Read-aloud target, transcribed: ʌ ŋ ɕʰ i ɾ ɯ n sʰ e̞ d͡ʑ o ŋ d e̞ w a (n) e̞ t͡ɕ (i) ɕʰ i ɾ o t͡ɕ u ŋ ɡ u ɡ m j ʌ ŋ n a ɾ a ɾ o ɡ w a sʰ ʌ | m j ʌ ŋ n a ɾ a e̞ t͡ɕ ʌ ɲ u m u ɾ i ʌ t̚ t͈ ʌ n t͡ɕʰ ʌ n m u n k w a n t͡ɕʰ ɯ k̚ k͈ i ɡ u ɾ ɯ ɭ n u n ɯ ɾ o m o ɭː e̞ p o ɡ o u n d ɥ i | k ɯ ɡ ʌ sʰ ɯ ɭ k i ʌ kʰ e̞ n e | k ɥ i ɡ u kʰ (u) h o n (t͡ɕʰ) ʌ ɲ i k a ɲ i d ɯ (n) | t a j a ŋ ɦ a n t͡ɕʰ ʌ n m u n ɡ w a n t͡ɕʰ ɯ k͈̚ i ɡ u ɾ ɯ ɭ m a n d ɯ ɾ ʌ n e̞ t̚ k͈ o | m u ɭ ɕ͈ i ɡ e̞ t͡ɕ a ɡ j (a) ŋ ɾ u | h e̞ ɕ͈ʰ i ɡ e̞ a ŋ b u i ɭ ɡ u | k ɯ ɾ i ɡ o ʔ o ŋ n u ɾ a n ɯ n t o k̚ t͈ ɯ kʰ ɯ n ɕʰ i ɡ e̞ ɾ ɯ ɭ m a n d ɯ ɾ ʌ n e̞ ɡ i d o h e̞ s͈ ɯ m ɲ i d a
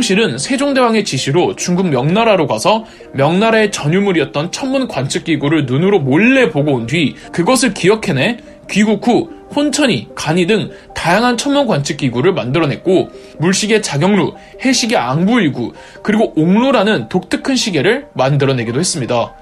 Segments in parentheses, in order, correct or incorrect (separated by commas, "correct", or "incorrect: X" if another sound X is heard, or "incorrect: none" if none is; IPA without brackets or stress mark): incorrect: ŋ, correct, correct, correct, incorrect: ŋ, incorrect: ʌ